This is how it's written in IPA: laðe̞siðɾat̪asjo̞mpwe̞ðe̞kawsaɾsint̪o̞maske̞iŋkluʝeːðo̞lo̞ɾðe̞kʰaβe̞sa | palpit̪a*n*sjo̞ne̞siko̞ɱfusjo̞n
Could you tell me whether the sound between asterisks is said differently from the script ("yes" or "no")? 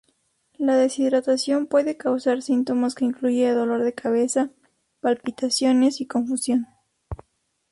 yes